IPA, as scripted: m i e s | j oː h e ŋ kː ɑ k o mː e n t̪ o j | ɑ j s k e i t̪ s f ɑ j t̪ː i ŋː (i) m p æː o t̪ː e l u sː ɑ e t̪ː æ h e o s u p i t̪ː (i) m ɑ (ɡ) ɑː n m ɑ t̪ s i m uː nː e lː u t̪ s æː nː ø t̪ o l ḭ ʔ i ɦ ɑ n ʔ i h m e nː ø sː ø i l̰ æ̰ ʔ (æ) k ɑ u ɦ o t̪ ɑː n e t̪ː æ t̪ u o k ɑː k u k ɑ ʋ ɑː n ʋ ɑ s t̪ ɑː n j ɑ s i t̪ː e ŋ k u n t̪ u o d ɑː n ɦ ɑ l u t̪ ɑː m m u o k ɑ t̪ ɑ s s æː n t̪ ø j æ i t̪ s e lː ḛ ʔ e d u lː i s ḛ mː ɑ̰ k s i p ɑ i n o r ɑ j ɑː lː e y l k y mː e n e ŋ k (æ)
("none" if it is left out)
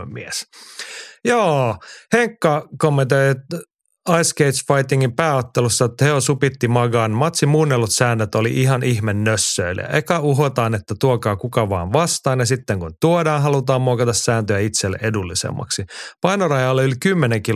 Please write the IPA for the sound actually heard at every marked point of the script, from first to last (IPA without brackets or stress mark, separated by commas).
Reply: i, i, ɡ, e, i